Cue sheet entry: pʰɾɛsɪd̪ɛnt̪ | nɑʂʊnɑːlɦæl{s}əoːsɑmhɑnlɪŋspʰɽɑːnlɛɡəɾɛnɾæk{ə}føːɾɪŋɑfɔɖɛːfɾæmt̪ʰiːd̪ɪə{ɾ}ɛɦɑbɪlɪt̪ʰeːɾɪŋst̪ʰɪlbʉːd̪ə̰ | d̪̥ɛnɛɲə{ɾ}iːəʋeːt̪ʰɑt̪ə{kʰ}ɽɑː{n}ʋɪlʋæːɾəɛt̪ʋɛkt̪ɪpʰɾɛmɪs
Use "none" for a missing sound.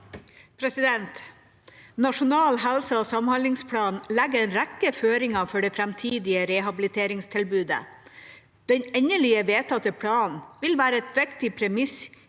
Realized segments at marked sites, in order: s, ə, ɾ, ɭ, pʰ, n

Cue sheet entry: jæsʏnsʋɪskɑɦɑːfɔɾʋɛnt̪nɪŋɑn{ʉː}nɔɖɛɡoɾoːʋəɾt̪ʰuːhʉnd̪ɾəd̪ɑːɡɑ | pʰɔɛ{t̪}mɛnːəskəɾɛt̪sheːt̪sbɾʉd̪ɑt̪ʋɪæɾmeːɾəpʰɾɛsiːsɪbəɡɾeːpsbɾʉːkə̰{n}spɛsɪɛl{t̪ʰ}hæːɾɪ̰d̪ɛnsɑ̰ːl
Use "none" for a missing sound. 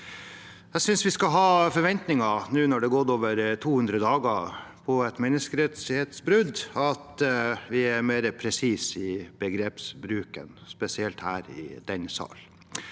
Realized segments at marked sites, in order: ʉː, t̪, n, t̪

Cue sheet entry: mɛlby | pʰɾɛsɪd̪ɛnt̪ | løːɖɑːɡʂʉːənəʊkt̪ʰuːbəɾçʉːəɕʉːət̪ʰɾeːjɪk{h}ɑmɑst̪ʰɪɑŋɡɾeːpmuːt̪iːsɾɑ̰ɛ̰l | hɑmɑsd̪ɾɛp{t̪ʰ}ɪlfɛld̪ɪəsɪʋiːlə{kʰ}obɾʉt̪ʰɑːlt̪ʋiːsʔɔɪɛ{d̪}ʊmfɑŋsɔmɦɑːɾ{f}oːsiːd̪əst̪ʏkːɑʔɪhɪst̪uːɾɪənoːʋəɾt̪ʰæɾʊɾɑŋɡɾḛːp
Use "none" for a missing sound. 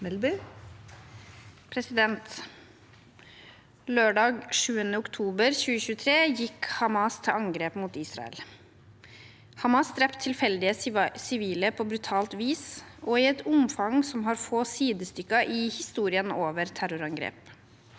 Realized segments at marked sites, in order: h, t̪ʰ, pʰ, t̪, f

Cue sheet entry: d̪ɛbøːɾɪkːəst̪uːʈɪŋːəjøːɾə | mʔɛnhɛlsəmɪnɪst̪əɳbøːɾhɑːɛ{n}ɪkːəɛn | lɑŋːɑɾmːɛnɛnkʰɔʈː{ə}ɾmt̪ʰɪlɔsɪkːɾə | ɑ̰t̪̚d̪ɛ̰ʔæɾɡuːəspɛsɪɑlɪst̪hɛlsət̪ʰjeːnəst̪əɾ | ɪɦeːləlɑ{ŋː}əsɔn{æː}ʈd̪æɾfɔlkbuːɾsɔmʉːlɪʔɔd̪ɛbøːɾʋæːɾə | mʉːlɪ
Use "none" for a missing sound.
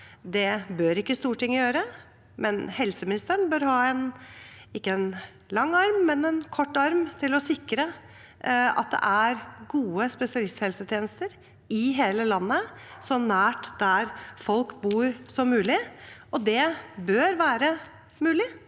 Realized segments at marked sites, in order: n, ɑ, nː, æː

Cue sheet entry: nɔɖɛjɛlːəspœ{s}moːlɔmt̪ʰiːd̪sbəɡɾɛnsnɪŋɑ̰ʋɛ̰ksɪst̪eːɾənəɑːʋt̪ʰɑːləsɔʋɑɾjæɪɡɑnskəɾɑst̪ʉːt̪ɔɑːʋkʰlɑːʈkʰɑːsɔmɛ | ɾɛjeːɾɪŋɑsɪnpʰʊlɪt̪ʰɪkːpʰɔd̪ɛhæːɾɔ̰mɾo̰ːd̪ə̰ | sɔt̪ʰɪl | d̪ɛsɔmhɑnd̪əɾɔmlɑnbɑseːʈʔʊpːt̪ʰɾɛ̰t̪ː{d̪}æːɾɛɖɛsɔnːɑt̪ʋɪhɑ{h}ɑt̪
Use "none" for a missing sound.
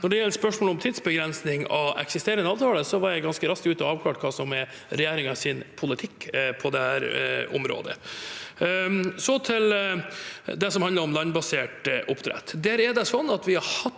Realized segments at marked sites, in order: ʂ, d̪, h

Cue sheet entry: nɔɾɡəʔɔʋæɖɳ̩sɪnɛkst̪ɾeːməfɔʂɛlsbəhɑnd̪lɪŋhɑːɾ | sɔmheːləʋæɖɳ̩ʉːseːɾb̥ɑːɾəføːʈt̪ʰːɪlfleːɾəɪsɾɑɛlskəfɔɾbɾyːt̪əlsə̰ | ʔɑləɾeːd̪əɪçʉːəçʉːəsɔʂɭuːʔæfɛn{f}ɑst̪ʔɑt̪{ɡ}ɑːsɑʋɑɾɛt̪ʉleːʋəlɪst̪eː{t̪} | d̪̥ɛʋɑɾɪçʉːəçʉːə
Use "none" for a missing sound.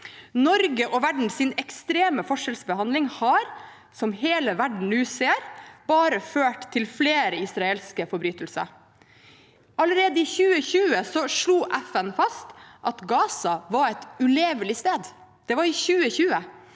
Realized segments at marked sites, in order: f, ɡ, d̪

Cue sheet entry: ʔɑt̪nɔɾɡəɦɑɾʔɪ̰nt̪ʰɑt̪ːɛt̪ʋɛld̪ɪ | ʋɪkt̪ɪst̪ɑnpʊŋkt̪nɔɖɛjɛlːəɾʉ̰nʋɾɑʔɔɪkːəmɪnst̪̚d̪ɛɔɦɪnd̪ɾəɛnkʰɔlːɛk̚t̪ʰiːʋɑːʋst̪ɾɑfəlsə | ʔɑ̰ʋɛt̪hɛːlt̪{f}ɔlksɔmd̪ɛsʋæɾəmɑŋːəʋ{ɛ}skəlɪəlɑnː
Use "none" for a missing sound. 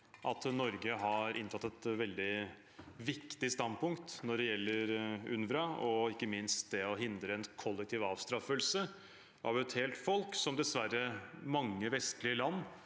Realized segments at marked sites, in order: f, ɛ

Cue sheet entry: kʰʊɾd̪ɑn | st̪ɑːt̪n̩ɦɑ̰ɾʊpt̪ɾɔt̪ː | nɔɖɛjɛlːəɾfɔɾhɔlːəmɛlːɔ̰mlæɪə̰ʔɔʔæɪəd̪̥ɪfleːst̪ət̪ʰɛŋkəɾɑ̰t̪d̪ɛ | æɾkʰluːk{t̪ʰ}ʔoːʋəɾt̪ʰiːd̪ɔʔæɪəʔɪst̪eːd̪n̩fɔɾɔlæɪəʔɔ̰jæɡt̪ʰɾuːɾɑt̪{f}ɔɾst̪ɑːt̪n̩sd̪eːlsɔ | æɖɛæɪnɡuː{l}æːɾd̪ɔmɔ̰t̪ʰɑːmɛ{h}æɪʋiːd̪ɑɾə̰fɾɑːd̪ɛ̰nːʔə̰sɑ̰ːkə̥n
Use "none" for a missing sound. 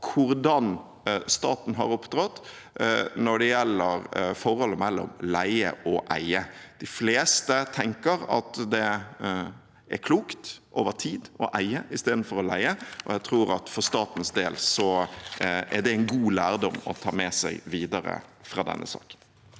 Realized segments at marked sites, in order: t̪, f, l, s

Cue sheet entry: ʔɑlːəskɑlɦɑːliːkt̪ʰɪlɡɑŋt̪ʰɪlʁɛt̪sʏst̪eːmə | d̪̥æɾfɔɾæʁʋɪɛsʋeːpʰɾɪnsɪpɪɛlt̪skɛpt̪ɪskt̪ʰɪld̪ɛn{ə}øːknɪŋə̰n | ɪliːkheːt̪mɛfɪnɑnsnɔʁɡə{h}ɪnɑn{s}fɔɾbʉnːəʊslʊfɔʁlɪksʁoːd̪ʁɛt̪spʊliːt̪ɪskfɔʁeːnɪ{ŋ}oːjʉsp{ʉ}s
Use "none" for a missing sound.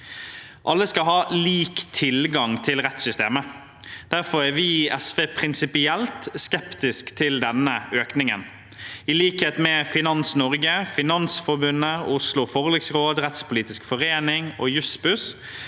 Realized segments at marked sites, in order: ə, f, s, ŋ, ʉ

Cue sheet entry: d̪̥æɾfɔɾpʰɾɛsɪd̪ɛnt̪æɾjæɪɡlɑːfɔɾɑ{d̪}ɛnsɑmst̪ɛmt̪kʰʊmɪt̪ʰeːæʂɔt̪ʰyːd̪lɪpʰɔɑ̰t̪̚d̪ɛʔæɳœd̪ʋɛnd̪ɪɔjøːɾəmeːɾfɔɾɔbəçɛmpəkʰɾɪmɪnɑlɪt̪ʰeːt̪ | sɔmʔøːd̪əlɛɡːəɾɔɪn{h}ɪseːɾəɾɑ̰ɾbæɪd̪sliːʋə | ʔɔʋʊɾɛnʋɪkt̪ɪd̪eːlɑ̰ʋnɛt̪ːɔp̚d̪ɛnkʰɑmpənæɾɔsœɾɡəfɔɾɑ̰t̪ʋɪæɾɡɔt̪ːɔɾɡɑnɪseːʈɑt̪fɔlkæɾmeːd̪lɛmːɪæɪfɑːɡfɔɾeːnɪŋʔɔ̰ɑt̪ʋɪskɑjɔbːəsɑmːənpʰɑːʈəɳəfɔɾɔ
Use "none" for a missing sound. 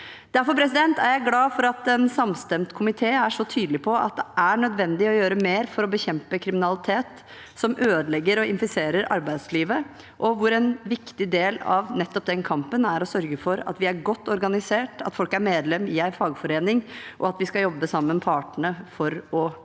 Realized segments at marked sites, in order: t̪, f

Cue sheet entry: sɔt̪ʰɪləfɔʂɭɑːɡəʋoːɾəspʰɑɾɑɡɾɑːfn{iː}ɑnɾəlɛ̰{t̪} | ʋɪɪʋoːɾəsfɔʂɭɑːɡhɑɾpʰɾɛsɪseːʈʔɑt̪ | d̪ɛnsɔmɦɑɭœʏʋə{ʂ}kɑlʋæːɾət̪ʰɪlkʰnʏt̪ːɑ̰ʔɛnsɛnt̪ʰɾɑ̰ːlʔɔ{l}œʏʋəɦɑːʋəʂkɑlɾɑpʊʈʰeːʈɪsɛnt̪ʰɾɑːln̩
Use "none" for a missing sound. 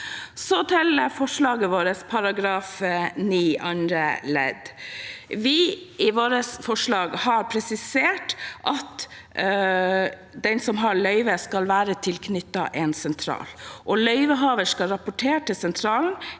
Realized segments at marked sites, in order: iː, d̪, s, l

